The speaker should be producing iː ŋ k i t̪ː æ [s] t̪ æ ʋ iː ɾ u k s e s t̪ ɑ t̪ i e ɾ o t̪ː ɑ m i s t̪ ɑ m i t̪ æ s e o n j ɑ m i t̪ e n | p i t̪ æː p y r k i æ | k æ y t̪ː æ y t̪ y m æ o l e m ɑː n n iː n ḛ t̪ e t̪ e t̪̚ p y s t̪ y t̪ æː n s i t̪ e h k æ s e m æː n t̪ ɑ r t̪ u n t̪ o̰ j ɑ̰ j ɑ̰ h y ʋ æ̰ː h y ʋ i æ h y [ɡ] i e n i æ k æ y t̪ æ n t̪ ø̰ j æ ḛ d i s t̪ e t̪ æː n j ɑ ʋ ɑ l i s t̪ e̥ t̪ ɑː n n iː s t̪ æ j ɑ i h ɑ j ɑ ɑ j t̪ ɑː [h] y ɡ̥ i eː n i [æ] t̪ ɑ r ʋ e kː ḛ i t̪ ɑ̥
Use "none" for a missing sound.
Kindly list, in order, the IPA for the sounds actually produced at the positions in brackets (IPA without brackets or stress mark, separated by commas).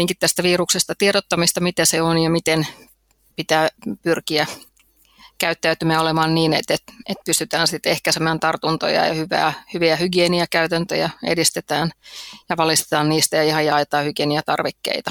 s, ɡ, h, æ